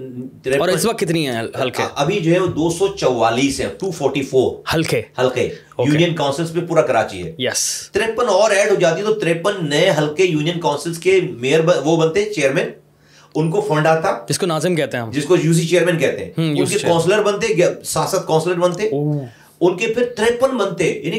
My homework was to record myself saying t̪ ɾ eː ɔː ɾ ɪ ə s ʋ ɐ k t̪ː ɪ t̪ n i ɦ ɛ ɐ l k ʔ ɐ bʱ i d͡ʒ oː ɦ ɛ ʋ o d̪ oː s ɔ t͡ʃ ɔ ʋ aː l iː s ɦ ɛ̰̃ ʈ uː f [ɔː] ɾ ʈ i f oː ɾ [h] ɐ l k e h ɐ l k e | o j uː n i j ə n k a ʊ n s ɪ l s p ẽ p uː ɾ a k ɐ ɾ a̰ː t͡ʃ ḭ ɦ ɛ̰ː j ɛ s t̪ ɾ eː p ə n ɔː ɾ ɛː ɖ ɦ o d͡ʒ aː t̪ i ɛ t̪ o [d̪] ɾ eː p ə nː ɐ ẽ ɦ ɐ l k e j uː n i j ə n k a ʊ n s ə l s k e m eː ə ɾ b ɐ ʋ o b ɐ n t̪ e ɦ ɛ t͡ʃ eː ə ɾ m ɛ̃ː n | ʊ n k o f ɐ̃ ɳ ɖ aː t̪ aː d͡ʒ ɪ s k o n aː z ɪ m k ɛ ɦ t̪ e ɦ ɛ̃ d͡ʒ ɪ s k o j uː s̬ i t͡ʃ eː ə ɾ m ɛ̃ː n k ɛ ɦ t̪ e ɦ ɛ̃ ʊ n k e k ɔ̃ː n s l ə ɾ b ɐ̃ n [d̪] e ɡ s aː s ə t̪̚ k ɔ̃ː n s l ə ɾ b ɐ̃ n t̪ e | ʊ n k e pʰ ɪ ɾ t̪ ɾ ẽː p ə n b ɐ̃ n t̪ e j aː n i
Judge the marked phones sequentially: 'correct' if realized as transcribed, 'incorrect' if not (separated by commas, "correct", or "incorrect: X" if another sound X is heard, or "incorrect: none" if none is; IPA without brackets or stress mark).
correct, correct, incorrect: t̪, incorrect: t̪